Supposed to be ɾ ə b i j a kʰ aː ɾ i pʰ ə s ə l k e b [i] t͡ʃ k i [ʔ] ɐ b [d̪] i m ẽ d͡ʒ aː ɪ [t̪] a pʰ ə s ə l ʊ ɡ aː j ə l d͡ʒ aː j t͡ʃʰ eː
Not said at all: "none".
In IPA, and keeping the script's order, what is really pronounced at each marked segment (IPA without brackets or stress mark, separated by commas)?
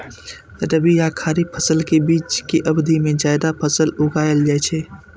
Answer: iː, ʔ, d̪, d̪